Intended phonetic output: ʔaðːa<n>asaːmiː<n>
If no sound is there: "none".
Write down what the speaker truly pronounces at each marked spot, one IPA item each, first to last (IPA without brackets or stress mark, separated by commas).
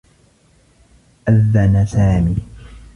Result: n, none